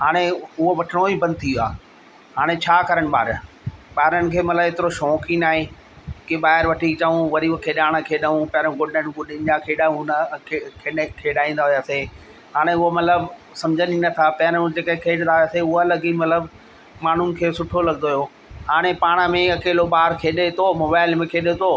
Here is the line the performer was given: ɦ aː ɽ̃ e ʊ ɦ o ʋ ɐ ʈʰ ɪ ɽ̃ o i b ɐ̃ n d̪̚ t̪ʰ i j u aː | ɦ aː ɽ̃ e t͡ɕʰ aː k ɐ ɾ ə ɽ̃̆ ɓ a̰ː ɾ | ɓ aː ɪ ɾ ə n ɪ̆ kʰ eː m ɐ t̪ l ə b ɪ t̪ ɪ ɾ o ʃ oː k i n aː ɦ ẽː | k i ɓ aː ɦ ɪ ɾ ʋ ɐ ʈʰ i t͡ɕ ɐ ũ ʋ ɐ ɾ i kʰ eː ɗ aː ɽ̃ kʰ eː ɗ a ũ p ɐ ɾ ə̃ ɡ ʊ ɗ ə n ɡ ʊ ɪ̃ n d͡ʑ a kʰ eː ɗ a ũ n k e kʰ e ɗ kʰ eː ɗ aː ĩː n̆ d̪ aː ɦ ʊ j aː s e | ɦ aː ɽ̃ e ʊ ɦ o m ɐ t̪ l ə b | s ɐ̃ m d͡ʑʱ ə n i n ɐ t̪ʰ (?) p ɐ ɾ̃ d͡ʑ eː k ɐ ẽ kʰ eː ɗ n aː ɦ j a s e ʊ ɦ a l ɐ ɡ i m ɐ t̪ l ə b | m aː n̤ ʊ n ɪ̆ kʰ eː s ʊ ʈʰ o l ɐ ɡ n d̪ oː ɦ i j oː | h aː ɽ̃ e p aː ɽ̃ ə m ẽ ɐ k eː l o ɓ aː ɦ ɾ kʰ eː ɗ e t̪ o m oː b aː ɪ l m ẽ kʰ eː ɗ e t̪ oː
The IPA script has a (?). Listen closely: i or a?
a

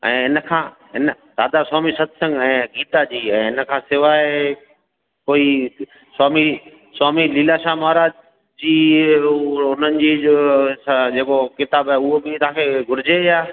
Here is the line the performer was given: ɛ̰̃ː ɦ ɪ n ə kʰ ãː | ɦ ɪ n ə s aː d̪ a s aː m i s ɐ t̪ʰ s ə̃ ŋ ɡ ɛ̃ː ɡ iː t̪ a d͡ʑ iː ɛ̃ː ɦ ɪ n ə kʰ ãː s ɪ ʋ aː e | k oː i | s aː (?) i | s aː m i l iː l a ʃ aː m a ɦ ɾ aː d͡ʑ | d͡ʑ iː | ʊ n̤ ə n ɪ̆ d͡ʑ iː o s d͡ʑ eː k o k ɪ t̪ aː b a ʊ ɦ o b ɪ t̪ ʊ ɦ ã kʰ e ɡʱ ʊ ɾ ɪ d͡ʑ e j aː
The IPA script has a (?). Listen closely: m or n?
m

